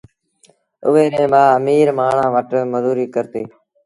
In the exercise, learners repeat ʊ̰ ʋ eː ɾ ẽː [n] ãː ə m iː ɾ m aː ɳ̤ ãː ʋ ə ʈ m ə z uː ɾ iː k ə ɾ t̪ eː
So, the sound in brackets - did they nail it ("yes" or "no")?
no